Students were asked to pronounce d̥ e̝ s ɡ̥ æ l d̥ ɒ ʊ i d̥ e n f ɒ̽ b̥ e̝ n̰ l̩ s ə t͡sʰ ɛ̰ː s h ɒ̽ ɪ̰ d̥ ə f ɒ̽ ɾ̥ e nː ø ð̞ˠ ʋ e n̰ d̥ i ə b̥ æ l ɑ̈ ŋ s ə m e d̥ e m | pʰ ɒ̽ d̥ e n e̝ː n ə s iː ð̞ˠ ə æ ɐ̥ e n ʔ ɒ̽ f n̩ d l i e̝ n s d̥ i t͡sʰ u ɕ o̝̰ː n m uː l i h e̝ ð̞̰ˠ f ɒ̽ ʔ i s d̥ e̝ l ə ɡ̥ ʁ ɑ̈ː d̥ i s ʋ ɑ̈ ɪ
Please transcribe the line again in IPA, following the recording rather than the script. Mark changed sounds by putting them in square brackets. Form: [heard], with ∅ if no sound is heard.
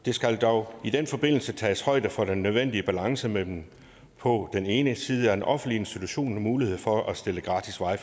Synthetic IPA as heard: d̥ e̝ s ɡ̥ æ l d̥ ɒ ʊ i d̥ e n f ɒ̽ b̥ e̝ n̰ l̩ s ə t͡sʰ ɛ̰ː s h ɒ̽ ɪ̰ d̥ ə f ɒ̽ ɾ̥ e nː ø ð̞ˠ ʋ e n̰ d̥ i ə b̥ æ l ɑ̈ ŋ s ə m e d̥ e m | pʰ ɒ̽ d̥ e n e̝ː n ə s iː ð̞ˠ ə æ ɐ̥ e n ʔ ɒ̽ f n̩ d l i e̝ n s d̥ i t͡sʰ u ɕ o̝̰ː n m uː l i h e̝ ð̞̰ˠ f ɒ̽ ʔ [æ] s d̥ e̝ l ə ɡ̥ ʁ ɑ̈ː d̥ i s ʋ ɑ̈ ɪ